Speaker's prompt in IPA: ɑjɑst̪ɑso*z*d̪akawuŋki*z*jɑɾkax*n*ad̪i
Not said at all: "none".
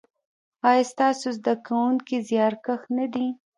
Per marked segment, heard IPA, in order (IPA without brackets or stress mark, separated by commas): z, z, n